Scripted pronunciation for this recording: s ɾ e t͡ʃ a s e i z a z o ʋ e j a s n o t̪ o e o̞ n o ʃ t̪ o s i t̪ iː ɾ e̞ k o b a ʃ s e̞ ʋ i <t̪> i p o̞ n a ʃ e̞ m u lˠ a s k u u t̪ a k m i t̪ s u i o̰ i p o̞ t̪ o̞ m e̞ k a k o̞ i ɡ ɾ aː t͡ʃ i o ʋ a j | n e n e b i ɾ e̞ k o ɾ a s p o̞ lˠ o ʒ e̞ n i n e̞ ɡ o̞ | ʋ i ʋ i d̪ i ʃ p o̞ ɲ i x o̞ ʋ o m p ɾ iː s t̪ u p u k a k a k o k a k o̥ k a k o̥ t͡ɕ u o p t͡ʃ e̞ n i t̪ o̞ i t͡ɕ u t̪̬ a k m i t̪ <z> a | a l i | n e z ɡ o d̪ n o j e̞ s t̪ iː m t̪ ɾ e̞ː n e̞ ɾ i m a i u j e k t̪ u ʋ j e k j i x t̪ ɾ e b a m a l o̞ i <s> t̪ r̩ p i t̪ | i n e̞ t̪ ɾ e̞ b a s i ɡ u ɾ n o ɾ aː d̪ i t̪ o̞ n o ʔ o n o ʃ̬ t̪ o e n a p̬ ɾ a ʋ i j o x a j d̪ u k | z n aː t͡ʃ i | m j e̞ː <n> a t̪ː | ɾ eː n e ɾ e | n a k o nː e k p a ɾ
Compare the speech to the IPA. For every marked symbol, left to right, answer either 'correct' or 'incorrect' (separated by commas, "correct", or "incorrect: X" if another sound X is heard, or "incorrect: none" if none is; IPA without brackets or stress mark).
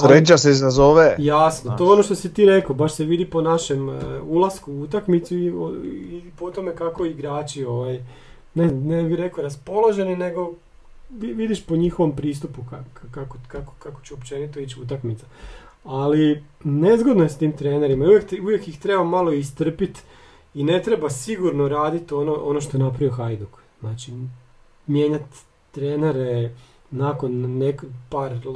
incorrect: d̪, incorrect: s, correct, incorrect: ɲ